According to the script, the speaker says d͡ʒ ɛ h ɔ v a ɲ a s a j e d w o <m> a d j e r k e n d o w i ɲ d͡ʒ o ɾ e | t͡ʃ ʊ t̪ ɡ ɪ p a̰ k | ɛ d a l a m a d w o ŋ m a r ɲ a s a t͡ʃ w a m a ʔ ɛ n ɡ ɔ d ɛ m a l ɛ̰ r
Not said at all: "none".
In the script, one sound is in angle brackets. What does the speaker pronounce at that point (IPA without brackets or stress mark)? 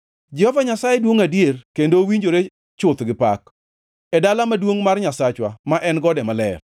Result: ŋ